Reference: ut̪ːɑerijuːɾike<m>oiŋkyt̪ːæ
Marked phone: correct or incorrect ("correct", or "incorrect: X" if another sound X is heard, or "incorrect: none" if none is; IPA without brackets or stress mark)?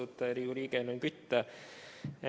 incorrect: n